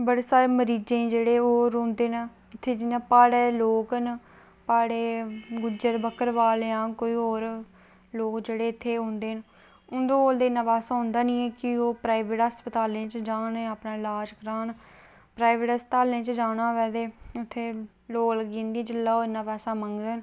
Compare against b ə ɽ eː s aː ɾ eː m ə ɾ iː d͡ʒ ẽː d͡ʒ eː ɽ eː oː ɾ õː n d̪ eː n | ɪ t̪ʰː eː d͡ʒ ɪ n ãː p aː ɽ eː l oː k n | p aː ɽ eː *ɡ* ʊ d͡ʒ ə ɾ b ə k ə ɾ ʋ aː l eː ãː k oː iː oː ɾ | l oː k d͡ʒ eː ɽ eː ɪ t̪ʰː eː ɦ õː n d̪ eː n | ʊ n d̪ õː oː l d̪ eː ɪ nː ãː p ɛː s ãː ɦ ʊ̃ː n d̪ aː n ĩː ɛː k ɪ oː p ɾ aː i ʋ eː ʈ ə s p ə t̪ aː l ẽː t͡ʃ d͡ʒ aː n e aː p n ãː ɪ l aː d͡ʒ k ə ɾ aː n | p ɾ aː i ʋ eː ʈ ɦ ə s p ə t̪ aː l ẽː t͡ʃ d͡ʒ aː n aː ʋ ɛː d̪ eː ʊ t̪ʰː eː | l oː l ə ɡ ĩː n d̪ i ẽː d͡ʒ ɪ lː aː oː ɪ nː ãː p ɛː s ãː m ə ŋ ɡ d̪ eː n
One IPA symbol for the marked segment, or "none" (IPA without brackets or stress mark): ɡ